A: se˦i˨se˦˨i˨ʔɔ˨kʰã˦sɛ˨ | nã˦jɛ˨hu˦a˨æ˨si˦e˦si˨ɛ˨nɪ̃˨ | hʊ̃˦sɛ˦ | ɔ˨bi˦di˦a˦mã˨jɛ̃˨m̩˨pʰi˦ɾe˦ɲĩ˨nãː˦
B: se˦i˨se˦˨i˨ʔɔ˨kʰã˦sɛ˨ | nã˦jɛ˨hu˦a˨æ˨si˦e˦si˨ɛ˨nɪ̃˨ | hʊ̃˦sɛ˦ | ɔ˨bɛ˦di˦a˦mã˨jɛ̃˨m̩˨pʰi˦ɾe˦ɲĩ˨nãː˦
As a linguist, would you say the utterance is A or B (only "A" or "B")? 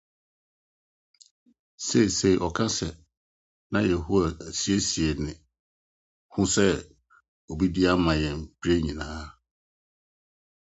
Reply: A